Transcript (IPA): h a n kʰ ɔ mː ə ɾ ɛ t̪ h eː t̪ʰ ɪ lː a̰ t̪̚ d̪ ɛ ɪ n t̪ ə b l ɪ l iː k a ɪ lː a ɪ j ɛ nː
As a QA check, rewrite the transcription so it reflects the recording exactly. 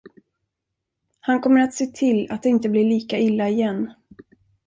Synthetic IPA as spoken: h a n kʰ ɔ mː ə ɾ a t̪ s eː t̪ʰ ɪ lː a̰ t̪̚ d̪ ɛ ɪ n t̪ ə b l ɪ ɭ iː k a ɪ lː a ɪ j ɛ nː